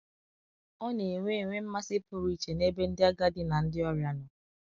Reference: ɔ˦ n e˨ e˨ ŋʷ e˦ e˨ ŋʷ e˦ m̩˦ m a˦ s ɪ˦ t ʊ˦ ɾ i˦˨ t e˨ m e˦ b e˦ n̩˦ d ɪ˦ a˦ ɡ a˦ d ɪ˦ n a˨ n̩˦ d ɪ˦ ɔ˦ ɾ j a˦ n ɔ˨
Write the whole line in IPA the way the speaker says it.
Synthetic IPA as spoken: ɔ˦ n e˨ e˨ ŋʷ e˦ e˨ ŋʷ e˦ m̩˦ m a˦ s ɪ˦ p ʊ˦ ɾ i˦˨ t͡ʃ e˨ n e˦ b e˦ n̩˦ d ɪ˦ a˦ ɡ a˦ d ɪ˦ n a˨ n̩˦ d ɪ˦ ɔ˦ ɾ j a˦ n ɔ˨